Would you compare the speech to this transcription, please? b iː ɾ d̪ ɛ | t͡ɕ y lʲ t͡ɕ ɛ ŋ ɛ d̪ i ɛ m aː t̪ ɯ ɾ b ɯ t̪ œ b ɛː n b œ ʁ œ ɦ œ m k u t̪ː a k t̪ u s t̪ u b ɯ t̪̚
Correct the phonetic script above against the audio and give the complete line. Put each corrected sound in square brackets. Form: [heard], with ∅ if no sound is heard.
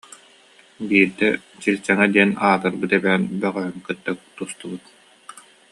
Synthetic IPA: b iː ɾ d̪ ɛ | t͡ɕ [i] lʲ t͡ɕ ɛ ŋ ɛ d̪ i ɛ [n] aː t̪ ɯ ɾ b ɯ t̪ [ɛ] b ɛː n b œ ʁ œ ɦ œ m k [ɯ] t̪ː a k t̪ u s t̪ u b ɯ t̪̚